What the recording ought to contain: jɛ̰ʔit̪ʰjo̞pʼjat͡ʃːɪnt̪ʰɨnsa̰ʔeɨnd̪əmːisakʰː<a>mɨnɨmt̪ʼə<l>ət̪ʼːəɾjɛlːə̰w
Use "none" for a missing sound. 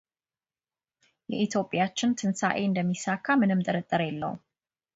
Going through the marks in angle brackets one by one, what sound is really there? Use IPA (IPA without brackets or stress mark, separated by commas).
a, ɾ